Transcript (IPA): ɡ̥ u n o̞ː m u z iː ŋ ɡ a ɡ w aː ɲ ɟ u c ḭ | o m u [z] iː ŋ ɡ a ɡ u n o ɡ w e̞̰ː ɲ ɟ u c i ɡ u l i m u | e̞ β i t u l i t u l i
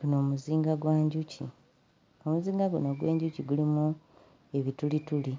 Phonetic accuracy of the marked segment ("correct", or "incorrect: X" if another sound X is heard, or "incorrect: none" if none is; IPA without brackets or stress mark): correct